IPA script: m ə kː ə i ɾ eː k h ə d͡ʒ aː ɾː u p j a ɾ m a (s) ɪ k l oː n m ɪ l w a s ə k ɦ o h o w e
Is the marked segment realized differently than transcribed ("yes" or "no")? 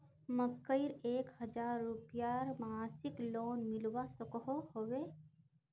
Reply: no